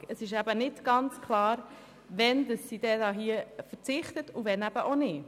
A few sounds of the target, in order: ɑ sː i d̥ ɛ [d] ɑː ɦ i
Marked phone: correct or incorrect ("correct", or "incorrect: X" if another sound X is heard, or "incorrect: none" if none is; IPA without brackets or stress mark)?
correct